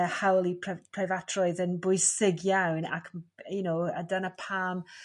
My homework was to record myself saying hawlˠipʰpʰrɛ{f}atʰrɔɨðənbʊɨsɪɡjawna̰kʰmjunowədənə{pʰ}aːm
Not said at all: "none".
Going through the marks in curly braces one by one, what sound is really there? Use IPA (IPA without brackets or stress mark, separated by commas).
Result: v, pʰ